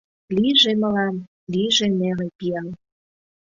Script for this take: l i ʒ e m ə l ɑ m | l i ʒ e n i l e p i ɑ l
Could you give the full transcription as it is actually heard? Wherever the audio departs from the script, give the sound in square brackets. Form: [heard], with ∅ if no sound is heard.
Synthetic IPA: l i ʒ e m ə l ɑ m | l i ʒ e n [e] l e p i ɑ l